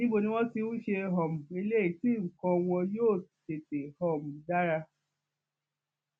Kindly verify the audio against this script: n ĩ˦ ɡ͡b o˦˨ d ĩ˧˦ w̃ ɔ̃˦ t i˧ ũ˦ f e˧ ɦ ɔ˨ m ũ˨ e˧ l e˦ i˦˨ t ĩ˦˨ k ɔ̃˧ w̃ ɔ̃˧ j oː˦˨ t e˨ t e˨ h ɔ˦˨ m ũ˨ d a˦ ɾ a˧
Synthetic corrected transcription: n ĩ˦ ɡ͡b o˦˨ n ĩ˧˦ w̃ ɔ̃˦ t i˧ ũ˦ ʃ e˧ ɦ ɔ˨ m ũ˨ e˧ l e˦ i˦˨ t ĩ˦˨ k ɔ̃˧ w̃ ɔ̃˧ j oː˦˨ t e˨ t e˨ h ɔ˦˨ m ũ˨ d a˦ ɾ a˧